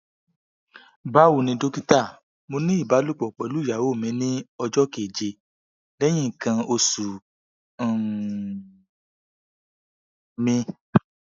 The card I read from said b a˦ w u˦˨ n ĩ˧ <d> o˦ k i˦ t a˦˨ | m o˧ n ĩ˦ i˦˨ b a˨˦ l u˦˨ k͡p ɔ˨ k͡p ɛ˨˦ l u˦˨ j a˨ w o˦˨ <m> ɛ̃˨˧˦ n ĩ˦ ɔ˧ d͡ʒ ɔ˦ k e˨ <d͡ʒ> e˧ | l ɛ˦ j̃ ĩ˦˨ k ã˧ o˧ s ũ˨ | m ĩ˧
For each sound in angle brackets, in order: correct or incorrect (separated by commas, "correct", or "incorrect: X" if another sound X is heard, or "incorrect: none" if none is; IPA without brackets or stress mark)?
correct, correct, correct